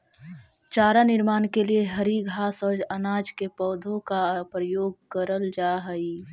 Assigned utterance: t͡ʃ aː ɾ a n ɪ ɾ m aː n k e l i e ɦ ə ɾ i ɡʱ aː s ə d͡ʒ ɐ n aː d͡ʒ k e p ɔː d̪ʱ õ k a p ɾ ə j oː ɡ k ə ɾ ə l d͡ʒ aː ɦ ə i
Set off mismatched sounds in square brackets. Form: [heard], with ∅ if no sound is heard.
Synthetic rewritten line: t͡ʃ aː ɾ a n ɪ ɾ m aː n k e l i e ɦ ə ɾ i ɡʱ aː s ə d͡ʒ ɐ n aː d͡ʒ k e p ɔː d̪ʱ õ k a p ɾ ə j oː ɡ k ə ɾ ə l d͡ʒ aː ɦ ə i